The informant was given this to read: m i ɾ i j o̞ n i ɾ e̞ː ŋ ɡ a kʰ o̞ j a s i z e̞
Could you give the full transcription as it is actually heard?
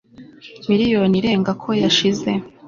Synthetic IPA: m i ɾ i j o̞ n i ɾ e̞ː ŋ ɡ a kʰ o̞ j a ʃ i z e̞

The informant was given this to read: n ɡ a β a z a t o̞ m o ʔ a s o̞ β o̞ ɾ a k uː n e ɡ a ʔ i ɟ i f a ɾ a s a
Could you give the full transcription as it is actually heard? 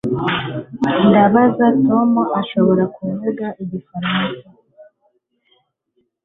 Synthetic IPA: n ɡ a β a z a t o̞ m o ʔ a ʃ o̞ β o̞ ɾ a k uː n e ɡ a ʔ i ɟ i f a ɾ a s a

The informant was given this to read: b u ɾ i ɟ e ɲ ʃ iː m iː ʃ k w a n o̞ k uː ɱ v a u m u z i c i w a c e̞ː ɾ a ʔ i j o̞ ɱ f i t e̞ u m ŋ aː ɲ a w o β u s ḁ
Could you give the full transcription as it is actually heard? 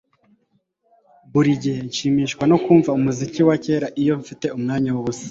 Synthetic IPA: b u ɾ i ɟ e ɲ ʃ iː m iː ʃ k w a n o̞ k uː ɱ v a u m u z i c i w a c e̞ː ɾ a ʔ i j o̞ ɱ f i t e̞ u m ŋ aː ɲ a w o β u s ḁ

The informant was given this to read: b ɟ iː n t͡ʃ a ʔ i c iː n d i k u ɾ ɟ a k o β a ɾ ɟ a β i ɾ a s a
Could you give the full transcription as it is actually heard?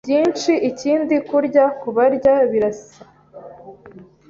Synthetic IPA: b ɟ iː n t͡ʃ i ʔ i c iː n d i k u ɾ ɟ a k u β a ɾ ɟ a β i ɾ a s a

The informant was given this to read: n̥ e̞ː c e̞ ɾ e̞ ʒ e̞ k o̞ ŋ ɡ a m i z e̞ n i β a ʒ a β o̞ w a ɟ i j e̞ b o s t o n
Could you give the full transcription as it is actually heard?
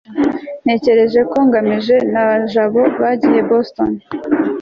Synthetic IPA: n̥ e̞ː c e̞ ɾ e̞ ʒ e̞ k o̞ ŋ ɡ a m i ʒ e̞ n a β a ʒ a β o̞ β a ɟ i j e̞ b o s t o n

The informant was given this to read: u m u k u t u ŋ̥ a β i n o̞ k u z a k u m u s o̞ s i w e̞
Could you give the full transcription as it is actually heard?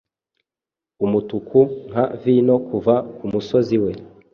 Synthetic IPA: u m u t u k u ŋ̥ a v i n o̞ k u v a k u m u s o̞ z i w e̞

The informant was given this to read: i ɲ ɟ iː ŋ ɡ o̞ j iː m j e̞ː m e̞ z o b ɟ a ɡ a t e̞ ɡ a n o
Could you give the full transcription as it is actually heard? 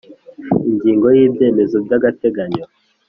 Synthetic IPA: i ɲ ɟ iː ŋ ɡ o̞ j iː b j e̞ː m e̞ z o b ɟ a ɡ a t e̞ ɡ a ɲ o

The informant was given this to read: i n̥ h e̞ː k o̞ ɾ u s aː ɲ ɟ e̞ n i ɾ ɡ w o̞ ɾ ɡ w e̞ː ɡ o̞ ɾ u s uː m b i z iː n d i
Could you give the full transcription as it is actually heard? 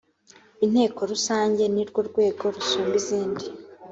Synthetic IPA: i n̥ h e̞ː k o̞ ɾ u s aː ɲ ɟ e̞ n i ɾ ɡ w o̞ ɾ ɡ w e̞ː ɡ o̞ ɾ u s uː m b i z iː n d i

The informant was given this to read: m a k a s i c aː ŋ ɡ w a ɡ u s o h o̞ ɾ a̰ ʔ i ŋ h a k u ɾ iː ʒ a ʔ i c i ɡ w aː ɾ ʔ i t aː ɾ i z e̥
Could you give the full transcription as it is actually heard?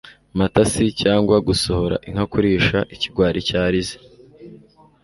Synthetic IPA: m a t a s i c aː ŋ ɡ w a ɡ u s o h o̞ ɾ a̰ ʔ i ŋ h a k u ɾ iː ʃ a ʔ i c i ɡ w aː ɾ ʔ i c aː ɾ i z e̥

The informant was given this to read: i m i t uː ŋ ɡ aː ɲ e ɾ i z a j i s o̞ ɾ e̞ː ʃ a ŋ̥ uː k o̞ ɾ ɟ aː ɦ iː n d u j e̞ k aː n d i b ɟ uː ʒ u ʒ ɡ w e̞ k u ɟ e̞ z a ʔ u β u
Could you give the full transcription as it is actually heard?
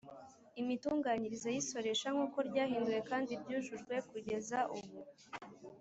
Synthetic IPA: i m i t uː ŋ ɡ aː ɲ i ɾ i z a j i s o̞ ɾ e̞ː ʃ a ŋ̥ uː k o̞ ɾ ɟ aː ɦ iː n d u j e̞ k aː n d i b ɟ uː ʒ u ʒ ɡ w e̞ k u ɟ e̞ z a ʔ u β u

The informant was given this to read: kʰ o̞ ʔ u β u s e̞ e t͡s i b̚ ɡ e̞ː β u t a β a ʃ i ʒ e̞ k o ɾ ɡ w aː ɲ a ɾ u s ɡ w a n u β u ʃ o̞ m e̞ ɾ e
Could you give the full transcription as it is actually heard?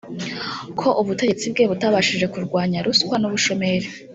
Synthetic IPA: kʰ o̞ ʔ u β u t e̞ e t͡s i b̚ ɡ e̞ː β u t a β a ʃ i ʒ e̞ k u ɾ ɡ w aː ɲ a ɾ u s k w a n u β u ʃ o̞ m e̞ ɾ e

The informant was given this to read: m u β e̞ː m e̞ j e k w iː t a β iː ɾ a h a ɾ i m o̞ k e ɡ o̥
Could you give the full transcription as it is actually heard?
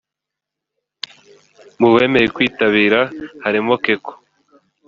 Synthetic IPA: m u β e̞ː m e̞ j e k w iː t a β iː ɾ a h a ɾ i m o̞ k e k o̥

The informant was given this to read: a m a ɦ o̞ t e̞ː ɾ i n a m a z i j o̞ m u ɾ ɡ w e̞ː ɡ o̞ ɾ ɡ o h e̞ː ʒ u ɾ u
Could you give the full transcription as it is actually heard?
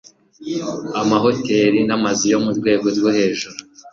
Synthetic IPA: a m a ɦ o̞ t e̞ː ɾ i n a m a z i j o̞ m u ɾ ɡ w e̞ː ɡ o̞ ɾ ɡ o h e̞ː ʒ u ɾ u

